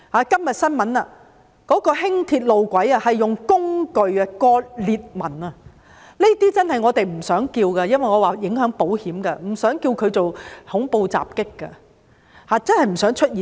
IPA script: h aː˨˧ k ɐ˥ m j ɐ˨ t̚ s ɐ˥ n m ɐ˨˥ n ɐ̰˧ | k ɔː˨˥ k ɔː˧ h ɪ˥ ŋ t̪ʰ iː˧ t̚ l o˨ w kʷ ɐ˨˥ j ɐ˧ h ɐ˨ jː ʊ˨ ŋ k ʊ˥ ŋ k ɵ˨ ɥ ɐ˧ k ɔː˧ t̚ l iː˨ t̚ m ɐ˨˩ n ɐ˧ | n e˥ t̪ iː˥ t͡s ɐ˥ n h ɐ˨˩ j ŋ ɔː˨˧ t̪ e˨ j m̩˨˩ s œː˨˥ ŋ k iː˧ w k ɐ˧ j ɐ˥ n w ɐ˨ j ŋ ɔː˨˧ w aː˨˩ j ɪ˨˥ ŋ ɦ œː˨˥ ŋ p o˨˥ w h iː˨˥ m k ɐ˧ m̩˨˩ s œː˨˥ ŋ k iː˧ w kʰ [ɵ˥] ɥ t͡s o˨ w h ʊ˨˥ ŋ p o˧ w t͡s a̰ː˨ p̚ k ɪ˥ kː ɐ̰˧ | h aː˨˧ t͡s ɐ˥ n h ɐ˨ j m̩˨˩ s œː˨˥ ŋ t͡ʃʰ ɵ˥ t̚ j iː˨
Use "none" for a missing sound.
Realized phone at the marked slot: ɵ˨˧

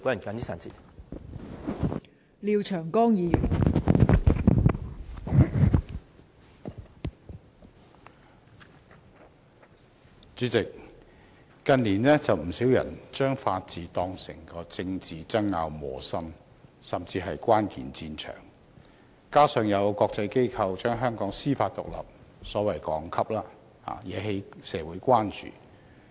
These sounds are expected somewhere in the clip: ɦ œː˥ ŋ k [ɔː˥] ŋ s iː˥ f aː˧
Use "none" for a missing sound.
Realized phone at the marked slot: ɔː˨˥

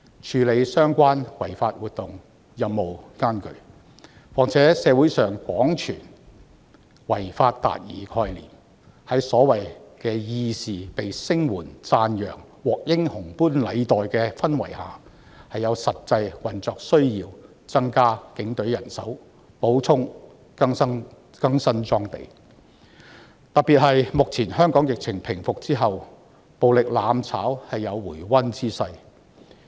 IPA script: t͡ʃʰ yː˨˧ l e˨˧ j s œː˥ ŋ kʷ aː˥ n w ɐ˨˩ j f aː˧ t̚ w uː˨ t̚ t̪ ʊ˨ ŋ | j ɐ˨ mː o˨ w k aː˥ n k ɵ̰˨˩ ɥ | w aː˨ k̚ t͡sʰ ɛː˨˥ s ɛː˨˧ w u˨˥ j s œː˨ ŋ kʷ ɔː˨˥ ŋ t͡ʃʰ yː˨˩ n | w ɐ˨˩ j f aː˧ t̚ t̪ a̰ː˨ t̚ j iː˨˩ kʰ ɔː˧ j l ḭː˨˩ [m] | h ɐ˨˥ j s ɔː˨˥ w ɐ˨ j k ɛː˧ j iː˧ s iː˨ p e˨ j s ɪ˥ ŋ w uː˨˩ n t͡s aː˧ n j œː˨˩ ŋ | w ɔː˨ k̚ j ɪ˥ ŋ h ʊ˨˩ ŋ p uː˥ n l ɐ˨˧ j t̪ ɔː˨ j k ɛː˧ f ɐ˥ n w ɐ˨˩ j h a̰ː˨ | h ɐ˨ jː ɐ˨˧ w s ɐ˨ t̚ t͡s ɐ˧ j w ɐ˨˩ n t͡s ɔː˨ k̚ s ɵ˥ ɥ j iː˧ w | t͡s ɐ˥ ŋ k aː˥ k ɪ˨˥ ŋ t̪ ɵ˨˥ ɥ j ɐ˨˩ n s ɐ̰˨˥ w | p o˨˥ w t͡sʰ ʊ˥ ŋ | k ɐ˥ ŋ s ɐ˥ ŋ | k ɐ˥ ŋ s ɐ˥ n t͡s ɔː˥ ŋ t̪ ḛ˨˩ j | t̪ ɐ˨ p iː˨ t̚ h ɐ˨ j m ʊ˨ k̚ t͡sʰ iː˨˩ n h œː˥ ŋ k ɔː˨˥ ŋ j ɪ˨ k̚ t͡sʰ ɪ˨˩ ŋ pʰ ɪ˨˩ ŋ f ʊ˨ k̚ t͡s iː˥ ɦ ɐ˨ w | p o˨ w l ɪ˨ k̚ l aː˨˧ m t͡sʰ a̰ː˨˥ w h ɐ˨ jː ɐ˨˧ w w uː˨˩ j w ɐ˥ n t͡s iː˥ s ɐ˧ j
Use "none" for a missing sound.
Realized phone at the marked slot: m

